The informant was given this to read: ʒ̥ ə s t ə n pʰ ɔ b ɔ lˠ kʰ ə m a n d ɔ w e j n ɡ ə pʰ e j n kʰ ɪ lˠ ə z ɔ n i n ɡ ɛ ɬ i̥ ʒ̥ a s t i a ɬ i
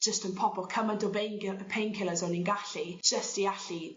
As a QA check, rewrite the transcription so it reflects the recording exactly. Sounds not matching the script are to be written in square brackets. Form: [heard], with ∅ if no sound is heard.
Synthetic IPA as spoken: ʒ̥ ə s t ə n pʰ ɔ b ɔ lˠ kʰ ə m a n d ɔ [b] e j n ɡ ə pʰ e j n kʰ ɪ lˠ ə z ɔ n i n ɡ [a] ɬ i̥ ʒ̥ [ə] s t i a ɬ i